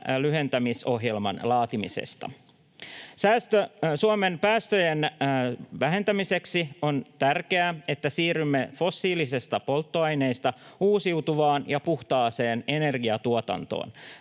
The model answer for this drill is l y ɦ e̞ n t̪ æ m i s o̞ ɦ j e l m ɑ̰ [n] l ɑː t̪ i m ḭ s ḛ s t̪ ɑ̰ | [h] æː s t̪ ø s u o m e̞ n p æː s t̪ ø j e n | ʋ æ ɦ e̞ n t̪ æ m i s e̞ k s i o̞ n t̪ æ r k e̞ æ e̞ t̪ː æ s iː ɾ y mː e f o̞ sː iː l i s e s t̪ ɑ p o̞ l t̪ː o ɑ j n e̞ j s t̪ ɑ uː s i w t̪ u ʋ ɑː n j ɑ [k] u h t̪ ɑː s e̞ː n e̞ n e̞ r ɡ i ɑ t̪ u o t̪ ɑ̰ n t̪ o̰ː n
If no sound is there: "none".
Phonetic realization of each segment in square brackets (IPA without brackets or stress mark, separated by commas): n, s, p